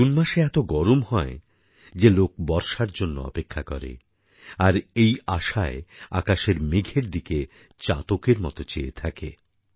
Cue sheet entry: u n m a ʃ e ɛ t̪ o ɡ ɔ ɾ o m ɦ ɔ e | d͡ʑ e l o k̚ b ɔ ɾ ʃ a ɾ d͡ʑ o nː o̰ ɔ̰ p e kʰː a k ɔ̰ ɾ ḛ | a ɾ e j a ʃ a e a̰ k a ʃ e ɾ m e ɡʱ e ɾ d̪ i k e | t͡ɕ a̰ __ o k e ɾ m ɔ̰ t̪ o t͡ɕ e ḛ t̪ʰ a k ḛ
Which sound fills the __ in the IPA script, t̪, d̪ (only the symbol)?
t̪